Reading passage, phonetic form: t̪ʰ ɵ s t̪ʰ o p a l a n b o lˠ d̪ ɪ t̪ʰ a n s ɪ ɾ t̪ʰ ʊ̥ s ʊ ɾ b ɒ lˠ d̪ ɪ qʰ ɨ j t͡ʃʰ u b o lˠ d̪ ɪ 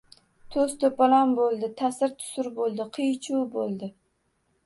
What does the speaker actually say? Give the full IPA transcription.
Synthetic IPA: t̪ʰ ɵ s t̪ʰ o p a l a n b o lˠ d̪ ɪ t̪ʰ a s ɪ ɾ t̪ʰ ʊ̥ s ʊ ɾ b o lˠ d̪ ɪ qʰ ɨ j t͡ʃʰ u b o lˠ d̪ ɪ